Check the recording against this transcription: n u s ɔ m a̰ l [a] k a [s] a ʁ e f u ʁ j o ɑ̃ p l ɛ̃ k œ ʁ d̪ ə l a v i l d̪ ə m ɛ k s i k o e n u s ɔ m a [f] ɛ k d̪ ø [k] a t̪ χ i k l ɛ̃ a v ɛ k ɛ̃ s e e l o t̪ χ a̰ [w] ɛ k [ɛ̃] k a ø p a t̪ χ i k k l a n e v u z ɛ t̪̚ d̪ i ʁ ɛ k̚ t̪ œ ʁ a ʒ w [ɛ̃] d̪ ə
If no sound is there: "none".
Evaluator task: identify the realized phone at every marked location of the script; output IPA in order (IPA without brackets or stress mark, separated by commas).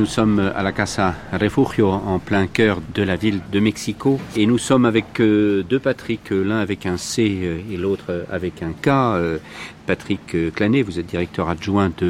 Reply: a, s, v, p, v, ɛ̃, ɛ̃